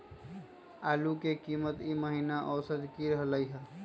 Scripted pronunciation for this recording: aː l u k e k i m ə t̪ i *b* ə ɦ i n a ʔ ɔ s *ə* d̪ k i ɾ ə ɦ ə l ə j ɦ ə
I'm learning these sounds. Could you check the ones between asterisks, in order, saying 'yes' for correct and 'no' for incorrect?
no, yes

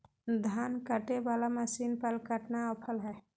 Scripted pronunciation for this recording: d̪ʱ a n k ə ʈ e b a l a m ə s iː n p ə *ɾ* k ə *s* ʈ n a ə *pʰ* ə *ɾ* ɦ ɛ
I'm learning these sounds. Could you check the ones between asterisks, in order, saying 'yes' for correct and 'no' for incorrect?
no, no, yes, no

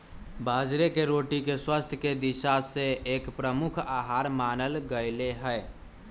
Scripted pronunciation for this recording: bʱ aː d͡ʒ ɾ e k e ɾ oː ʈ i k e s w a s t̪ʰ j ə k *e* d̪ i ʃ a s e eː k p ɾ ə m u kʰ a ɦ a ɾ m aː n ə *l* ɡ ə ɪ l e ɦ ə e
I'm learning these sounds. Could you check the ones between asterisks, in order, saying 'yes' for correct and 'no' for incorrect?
yes, yes

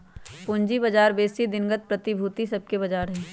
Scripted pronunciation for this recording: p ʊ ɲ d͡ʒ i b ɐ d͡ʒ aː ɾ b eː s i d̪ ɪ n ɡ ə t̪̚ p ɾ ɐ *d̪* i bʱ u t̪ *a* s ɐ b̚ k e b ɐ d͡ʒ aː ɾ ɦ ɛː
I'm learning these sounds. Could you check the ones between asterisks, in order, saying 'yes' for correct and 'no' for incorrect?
no, no

